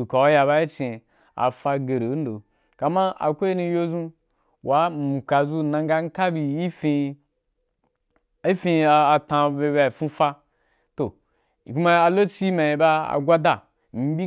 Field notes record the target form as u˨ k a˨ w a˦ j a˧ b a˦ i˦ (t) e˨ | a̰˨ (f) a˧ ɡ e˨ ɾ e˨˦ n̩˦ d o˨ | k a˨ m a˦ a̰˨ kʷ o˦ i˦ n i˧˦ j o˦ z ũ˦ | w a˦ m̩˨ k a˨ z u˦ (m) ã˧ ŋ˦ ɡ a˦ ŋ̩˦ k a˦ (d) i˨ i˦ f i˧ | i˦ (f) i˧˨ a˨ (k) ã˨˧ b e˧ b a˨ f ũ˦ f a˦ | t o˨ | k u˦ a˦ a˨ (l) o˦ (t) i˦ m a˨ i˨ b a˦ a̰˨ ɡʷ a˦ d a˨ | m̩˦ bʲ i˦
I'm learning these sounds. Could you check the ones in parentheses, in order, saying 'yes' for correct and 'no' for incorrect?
no, yes, no, no, yes, no, yes, no

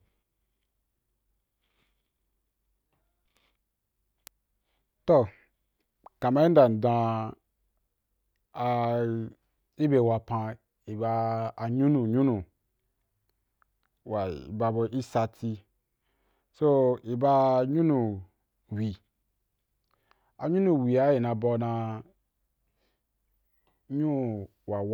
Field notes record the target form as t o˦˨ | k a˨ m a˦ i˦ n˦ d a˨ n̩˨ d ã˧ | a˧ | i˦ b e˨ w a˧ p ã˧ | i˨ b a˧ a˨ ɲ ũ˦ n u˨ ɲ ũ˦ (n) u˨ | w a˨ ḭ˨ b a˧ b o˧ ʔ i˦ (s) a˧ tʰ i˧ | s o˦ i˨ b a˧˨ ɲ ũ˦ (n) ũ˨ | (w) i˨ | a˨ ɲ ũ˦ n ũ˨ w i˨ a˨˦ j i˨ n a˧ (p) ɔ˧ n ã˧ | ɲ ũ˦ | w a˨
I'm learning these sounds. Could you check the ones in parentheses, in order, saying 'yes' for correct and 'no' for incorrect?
yes, yes, yes, yes, no

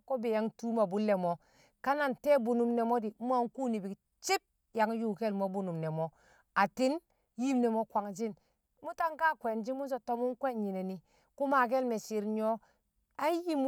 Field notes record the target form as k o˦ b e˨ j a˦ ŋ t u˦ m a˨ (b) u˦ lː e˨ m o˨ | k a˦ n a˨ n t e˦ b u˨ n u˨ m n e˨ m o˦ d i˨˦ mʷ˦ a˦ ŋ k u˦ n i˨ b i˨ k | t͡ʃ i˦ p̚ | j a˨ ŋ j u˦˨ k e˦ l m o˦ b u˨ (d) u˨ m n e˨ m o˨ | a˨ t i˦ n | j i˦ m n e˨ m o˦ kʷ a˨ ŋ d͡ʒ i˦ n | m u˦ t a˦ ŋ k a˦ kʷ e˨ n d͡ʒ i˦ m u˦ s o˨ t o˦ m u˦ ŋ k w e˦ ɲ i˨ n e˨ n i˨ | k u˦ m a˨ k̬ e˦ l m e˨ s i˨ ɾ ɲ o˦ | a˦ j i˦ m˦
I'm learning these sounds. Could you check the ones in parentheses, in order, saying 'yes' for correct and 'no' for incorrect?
yes, no

